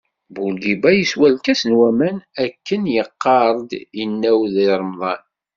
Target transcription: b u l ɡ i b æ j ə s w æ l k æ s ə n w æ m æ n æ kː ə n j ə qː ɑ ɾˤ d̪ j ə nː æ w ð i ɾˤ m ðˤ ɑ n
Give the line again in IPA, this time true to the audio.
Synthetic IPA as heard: b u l ɡ i b æ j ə s w æ l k æ s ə n w æ m æ n æ kː ə n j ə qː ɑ ɾˤ d̪ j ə nː æ w ð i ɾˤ m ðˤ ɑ n